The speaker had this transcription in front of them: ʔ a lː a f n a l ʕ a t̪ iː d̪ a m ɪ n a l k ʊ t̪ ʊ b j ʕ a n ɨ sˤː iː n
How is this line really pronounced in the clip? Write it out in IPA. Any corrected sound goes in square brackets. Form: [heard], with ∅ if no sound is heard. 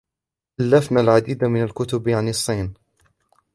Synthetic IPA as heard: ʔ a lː a f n a l ʕ a [d̪] iː d̪ a m ɪ n a l k ʊ t̪ ʊ b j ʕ a n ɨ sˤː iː n